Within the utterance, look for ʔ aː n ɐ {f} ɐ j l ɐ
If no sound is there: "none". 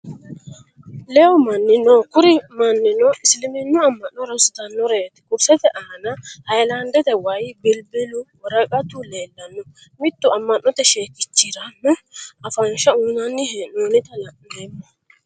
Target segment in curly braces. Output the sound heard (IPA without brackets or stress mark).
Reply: h